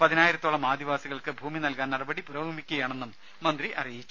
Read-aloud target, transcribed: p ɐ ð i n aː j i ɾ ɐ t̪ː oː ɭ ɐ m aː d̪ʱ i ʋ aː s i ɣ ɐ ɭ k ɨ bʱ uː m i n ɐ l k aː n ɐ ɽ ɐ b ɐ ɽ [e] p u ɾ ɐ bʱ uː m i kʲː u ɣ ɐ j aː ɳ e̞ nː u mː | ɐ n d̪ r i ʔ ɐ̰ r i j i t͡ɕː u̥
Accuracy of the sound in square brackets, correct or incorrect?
incorrect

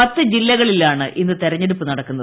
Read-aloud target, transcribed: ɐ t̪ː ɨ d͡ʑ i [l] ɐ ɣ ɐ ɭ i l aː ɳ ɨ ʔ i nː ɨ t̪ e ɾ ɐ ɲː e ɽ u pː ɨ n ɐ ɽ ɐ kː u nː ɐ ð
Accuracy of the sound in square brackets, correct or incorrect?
incorrect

